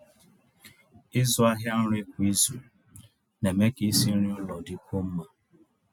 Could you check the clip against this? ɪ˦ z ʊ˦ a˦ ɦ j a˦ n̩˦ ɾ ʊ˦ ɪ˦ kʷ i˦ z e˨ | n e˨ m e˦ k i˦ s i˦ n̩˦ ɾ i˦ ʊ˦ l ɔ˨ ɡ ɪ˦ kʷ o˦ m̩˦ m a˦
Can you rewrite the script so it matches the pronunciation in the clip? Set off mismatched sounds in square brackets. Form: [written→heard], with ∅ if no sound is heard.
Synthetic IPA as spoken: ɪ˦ z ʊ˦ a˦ ɦ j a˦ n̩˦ ɾ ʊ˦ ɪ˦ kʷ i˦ z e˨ | n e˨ m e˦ k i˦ s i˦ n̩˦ ɾ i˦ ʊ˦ l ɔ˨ [ɡ→d] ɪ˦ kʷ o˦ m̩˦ m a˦

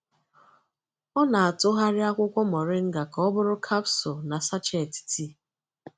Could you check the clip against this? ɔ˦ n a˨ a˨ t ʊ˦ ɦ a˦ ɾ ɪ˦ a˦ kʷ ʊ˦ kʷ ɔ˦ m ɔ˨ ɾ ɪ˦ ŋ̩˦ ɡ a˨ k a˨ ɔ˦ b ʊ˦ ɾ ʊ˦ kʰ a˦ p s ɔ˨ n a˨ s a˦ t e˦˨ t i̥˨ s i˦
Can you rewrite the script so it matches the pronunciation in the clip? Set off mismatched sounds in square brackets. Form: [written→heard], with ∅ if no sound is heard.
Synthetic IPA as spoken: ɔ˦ n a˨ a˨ t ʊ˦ ɦ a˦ ɾ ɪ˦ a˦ kʷ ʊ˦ kʷ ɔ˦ m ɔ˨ ɾ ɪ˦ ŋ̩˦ ɡ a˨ k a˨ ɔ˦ b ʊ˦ ɾ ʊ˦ kʰ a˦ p s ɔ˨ n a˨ s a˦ [t→t͡ʃ] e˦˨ t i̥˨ [s→t] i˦

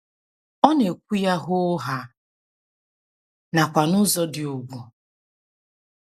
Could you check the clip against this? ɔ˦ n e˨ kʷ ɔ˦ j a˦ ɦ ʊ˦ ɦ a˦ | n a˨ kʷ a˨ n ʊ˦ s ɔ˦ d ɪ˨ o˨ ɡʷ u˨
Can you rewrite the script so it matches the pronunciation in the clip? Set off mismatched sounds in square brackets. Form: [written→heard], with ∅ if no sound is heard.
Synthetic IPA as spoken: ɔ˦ n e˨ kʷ [ɔ˦→u˦] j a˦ ɦ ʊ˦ ɦ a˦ | n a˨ kʷ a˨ n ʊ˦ [s→z] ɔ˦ d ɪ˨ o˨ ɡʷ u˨

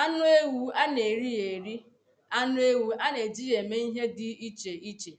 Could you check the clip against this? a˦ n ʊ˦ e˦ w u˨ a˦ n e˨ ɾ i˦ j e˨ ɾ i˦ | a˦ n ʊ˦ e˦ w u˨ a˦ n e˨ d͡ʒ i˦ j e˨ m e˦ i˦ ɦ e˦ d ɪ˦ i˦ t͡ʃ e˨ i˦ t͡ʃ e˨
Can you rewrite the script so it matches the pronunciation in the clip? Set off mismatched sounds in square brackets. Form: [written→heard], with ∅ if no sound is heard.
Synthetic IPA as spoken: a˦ n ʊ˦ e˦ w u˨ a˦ n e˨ ɾ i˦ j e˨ ɾ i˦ | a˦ n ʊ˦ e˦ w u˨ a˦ n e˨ d͡ʒ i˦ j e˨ m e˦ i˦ ɦ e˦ d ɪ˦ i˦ t͡ʃ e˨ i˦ t͡ʃ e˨

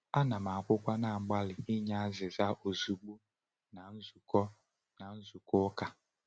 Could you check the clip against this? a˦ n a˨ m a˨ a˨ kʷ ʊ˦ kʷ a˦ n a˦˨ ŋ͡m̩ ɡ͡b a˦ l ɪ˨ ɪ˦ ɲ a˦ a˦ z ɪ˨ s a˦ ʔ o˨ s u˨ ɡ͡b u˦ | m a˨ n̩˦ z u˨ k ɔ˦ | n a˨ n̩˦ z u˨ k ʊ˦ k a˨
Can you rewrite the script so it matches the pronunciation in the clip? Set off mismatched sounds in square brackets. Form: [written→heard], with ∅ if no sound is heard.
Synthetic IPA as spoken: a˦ n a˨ m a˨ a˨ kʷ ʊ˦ kʷ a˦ n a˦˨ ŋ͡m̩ ɡ͡b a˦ l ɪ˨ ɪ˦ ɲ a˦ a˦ z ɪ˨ [s→z] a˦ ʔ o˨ [s→z] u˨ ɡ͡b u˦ | [m→n] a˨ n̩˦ z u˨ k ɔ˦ | n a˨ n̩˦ z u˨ k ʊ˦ k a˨

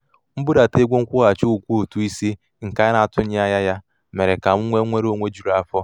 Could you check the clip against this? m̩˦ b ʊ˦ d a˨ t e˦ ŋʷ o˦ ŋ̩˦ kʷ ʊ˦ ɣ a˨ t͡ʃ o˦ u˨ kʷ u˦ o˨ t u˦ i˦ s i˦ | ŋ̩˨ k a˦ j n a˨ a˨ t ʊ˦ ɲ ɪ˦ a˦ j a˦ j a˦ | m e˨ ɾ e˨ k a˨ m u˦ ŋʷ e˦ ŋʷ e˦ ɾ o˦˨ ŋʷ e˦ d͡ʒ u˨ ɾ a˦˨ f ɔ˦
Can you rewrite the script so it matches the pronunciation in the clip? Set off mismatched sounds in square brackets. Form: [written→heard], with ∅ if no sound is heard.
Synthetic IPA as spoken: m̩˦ b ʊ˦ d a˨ t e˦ [ŋʷ→ɡʷ] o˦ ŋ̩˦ kʷ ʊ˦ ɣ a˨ t͡ʃ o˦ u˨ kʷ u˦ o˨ t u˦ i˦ s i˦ | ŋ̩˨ k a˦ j n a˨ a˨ t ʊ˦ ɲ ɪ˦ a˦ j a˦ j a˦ | m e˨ ɾ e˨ k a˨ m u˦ ŋʷ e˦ ŋʷ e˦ ɾ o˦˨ ŋʷ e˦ d͡ʒ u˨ ɾ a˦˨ f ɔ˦

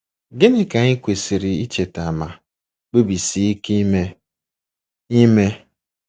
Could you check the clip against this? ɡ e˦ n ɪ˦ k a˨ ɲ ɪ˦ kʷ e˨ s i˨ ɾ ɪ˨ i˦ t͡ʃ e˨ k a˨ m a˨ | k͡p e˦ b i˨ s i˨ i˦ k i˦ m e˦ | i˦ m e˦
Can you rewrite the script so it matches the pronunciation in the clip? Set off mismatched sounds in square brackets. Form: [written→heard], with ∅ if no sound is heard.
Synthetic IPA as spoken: ɡ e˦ n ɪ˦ k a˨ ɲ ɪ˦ kʷ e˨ s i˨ ɾ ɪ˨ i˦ t͡ʃ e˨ [k→t] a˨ m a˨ | k͡p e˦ b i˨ s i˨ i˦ k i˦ m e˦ | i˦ m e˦

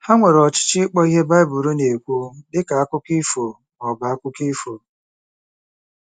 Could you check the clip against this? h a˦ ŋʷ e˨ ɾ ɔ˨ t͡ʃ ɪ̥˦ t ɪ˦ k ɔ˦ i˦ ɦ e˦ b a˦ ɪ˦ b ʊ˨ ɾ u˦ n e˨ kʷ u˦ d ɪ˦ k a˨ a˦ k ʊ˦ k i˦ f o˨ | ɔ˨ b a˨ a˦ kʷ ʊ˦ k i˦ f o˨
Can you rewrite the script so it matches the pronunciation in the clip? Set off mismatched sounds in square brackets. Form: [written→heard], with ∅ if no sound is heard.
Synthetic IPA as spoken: h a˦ ŋʷ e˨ ɾ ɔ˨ t͡ʃ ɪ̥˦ [t→t͡ʃ] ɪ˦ [k→k͡p] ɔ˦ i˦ ɦ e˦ b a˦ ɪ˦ b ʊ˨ ɾ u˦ n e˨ kʷ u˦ d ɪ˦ k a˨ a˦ k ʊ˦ k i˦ f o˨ | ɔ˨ b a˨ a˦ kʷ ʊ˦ k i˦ f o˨

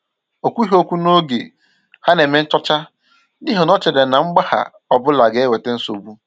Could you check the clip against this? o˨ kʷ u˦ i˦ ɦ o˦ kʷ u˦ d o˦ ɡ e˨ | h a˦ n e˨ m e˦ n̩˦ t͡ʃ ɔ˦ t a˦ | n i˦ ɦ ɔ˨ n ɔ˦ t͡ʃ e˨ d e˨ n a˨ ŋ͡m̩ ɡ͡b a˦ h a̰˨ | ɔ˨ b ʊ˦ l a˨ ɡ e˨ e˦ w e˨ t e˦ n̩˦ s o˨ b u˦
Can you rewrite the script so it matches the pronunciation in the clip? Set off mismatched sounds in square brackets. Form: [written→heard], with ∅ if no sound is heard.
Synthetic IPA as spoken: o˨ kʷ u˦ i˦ ɦ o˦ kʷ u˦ [d→n] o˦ ɡ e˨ | h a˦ n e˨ m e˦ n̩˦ t͡ʃ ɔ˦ [t→t͡ʃ] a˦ | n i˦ ɦ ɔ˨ n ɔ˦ t͡ʃ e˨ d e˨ n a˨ ŋ͡m̩ ɡ͡b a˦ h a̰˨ | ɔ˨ b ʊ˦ l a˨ ɡ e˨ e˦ w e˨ t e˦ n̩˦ s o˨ b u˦

